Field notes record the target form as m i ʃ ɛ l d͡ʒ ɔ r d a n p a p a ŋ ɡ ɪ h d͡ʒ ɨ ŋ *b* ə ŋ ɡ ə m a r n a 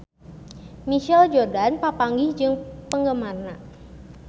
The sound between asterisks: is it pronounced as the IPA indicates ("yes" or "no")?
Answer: no